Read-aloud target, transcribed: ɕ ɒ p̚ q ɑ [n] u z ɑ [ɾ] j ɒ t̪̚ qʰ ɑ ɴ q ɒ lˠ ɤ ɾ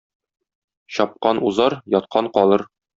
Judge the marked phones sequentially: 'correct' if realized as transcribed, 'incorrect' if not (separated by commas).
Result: correct, correct